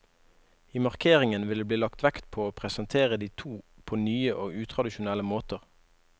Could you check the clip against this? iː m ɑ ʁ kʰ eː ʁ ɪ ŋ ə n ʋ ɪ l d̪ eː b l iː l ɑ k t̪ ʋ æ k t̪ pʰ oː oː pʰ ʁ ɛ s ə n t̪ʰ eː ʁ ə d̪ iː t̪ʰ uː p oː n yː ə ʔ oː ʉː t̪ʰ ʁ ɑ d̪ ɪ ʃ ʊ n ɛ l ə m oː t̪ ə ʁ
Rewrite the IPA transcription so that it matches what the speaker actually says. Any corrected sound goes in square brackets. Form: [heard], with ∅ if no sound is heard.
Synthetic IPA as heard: iː m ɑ ʁ kʰ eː ʁ ɪ ŋ ə n ʋ ɪ l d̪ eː b l iː l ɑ k t̪ ʋ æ k t̪ pʰ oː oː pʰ ʁ ɛ s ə n t̪ʰ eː ʁ ə d̪ iː t̪ʰ uː [pʰ] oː n yː ə ʔ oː ʉː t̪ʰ ʁ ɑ d̪ ɪ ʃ ʊ n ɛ l ə m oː t̪ ə ʁ